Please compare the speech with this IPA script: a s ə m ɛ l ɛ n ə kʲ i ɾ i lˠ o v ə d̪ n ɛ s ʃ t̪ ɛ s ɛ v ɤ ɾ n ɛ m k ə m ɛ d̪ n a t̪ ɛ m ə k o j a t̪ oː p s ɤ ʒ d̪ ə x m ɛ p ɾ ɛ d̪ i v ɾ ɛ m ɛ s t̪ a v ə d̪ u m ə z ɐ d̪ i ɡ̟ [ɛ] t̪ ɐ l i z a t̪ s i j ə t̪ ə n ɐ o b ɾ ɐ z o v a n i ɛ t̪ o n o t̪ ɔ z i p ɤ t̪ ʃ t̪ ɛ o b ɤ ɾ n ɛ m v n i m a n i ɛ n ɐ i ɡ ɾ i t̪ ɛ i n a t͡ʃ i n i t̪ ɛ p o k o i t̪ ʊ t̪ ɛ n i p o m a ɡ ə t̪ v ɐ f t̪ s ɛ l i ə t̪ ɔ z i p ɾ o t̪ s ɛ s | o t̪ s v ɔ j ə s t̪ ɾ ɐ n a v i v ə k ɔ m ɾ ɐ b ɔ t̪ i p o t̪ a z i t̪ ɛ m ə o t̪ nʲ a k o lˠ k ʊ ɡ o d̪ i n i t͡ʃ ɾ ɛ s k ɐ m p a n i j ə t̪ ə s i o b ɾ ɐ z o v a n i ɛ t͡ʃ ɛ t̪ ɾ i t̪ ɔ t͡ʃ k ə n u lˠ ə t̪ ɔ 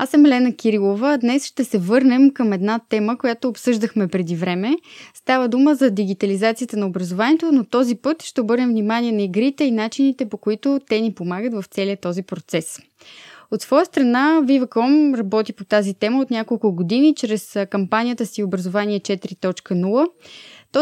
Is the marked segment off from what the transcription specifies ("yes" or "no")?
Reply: yes